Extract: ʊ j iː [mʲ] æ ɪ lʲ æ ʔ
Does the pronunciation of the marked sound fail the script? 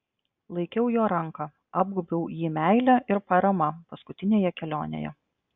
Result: no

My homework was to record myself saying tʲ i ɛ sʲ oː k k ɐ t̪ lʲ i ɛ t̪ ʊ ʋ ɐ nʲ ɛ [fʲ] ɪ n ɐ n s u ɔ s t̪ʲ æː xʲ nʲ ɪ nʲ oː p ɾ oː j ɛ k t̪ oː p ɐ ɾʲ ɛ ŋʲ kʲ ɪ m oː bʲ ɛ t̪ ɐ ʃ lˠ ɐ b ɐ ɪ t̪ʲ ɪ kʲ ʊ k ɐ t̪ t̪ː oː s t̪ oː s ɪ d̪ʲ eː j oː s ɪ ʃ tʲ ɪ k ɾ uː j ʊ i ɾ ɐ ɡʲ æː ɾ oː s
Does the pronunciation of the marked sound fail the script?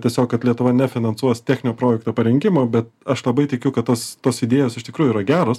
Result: no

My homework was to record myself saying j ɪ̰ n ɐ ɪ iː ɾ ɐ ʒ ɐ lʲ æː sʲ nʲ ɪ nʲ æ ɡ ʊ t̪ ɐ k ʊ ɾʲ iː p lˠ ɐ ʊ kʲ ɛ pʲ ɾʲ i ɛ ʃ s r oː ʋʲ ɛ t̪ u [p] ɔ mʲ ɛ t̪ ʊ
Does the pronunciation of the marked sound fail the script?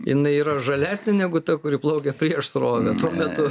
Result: yes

